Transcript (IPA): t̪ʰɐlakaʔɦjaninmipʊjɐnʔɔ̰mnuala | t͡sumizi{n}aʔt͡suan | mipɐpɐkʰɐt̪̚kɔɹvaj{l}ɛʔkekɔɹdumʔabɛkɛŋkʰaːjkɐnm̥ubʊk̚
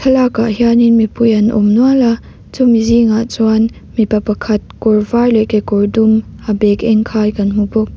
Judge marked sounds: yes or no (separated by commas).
no, yes